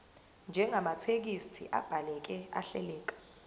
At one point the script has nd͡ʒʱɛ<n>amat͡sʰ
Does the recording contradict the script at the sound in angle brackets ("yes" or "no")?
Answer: yes